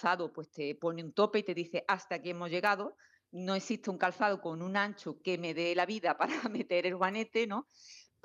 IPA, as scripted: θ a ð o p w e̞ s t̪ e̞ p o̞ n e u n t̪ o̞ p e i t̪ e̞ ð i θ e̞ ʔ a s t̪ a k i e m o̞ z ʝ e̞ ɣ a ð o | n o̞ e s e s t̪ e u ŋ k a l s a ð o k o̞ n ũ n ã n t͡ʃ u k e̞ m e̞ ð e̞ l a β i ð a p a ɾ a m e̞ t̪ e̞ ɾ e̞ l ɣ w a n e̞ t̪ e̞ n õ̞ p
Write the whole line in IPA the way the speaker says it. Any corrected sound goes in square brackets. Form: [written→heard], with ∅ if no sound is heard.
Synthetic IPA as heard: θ a ð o p w e̞ s t̪ e̞ p o̞ n e u n t̪ o̞ p e i t̪ e̞ ð i θ e̞ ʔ a s t̪ a k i e m o̞ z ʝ e̞ ɣ a ð o | n o̞ e s [e→i] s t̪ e u ŋ k a l [s→θ] a ð o k o̞ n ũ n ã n t͡ʃ u k e̞ m e̞ ð e̞ l a β i ð a p a ɾ a m e̞ t̪ e̞ ɾ e̞ l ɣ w a n e̞ t̪ e̞ n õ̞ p